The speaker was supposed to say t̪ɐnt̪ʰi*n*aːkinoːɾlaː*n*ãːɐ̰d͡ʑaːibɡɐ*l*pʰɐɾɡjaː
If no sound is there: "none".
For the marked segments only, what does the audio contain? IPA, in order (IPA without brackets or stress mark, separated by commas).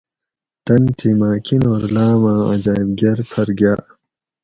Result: m, m, ɾ